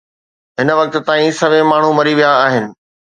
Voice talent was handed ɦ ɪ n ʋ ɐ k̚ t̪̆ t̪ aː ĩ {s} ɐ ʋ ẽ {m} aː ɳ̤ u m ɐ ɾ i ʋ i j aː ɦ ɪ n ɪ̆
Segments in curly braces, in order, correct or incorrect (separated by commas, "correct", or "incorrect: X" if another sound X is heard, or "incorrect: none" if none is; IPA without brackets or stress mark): correct, correct